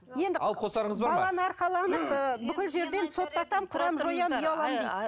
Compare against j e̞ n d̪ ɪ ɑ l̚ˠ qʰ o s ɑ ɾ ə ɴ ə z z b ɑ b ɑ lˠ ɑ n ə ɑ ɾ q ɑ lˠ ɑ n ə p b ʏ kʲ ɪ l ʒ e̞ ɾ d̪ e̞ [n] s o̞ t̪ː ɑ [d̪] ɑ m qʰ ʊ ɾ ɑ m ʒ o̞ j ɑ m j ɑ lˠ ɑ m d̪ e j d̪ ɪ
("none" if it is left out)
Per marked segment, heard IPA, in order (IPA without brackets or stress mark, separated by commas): n, t̪